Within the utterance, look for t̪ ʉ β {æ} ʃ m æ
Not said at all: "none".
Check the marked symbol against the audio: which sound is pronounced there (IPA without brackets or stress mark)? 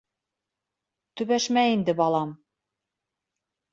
æ